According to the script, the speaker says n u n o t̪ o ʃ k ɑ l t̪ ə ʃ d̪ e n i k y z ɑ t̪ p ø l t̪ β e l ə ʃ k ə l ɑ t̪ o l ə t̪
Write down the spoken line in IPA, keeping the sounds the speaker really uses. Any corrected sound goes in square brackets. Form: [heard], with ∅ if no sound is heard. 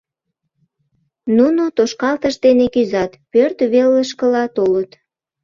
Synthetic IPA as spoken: n u n o t̪ o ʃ k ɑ l t̪ ə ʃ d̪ e n [e] k y z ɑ t̪ p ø [r] t̪ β e l ə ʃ k ə l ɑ t̪ o l ə t̪